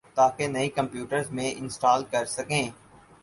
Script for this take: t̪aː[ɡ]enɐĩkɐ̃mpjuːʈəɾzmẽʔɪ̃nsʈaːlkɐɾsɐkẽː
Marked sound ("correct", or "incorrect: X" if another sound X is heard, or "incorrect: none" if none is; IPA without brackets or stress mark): incorrect: k